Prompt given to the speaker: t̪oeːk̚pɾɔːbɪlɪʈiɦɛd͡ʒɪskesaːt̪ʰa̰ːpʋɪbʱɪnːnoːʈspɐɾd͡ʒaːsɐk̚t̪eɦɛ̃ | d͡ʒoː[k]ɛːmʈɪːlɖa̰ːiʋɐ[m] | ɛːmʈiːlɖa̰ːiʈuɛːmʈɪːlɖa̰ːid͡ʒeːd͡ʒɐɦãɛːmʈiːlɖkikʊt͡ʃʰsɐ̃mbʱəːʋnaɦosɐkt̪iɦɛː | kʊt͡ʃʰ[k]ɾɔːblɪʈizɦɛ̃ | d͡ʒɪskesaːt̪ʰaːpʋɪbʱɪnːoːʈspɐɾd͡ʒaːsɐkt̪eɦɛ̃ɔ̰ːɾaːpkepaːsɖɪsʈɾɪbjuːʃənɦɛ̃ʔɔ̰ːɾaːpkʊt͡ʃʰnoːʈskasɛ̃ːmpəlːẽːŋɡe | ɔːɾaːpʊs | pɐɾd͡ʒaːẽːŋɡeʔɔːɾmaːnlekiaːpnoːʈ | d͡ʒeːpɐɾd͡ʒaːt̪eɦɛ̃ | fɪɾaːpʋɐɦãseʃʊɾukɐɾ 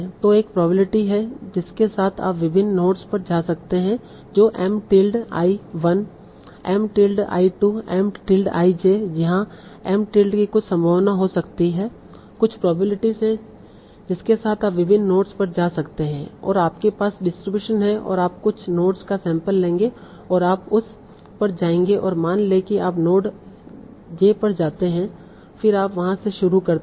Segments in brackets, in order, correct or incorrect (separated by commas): incorrect, incorrect, incorrect